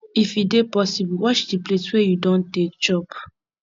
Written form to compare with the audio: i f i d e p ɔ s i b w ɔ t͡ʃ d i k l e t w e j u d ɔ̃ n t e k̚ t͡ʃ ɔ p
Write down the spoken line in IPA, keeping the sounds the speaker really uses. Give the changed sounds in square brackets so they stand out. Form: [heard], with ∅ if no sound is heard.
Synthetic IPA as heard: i f i d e p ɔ s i b w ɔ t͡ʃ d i [p] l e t w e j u d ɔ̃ n t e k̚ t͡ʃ ɔ p